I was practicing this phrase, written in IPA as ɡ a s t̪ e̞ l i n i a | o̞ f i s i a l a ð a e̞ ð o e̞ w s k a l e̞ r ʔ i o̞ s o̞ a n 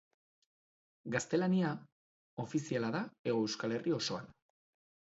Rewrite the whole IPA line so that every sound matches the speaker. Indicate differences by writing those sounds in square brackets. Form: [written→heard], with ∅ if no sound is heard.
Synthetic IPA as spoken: ɡ a s t̪ e̞ l [i→a] n i a | o̞ f i s i a l a ð a e̞ [ð→ɣ] o e̞ w s k a l e̞ r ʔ i o̞ s o̞ a n